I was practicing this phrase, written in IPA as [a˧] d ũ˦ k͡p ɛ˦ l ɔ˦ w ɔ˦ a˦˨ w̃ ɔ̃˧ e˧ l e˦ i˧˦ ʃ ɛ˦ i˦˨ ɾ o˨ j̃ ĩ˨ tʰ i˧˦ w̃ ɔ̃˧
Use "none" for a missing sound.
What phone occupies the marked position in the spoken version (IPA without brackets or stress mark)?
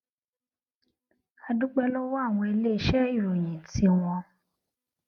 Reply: a˧